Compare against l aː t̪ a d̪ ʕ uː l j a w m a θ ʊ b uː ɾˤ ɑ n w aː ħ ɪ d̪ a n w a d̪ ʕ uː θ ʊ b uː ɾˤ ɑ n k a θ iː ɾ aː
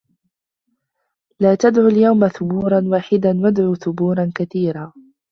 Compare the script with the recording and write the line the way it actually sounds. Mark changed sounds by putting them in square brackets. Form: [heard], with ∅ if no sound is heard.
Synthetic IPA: l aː t̪ a d̪ ʕ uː l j a w m a θ ʊ b uː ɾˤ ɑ n w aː ħ ɪ d̪ a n w a d̪ ʕ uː θ ʊ b uː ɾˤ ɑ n k a θ iː ɾ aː

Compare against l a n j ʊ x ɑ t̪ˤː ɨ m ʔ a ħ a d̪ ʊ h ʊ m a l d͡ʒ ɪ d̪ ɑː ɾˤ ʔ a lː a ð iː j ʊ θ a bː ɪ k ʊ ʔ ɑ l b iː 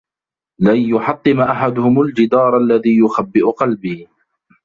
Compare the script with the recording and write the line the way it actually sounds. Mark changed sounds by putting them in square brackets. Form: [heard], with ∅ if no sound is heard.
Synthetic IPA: l a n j ʊ [ħ] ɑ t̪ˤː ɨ m ʔ a ħ a d̪ ʊ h ʊ m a l d͡ʒ ɪ d̪ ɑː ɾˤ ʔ a lː a ð iː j ʊ [x] a bː ɪ [ʔ] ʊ [q] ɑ l b iː

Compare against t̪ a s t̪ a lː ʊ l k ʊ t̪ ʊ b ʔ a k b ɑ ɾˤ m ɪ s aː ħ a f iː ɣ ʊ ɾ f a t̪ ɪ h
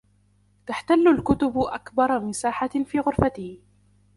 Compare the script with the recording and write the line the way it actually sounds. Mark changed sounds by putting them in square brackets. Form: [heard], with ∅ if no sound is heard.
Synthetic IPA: t̪ a [ħ] t̪ a lː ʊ l k ʊ t̪ ʊ b ʔ a k b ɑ ɾˤ m ɪ s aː ħ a f iː ɣ ʊ ɾ f a t̪ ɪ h

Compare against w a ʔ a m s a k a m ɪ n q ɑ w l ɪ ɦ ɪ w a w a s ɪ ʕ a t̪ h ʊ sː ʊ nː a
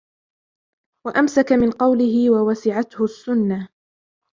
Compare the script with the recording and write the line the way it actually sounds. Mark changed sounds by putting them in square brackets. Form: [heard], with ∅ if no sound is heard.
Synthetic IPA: w a ʔ a m s a k a m ɪ n q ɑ w l ɪ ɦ ɪ w a w a s ɪ ʕ a t̪ h ʊ sː ʊ nː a

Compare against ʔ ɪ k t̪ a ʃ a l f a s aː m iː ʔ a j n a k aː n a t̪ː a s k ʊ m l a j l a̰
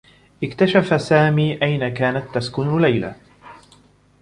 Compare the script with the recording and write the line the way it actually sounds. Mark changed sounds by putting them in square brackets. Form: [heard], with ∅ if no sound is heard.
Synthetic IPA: ʔ ɪ k t̪ a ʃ a [∅] f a s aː m iː ʔ a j n a k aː n a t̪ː a s k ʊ [n] l a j l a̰

